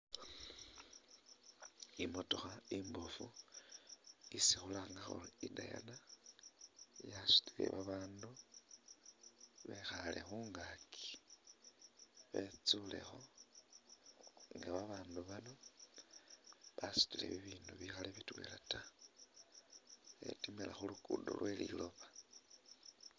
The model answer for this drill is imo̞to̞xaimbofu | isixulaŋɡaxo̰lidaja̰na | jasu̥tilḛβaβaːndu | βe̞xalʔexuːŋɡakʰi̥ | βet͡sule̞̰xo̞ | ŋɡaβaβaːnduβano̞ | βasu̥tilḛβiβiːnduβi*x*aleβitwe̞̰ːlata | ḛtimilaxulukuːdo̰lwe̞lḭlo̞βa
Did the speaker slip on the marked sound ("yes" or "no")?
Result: no